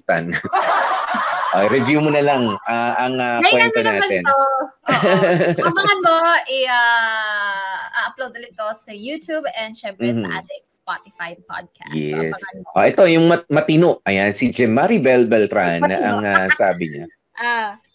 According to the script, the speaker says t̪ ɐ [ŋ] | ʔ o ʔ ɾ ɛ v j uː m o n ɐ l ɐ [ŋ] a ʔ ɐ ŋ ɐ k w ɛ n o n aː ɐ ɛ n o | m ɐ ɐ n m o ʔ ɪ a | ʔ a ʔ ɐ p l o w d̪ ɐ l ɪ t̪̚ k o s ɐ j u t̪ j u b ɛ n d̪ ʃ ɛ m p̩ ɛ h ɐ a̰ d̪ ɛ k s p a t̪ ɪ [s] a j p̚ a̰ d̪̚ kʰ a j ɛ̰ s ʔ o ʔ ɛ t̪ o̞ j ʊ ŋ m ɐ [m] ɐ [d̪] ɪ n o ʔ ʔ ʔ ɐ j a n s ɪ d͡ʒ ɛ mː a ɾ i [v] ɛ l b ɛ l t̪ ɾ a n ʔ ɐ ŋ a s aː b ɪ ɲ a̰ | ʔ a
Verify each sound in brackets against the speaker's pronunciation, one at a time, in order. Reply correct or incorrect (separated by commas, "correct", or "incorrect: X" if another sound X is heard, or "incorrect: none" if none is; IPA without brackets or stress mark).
incorrect: n, correct, incorrect: f, correct, incorrect: t̪, incorrect: b